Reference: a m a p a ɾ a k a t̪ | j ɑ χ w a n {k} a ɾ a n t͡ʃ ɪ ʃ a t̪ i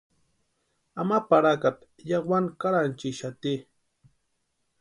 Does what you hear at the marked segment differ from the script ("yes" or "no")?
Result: no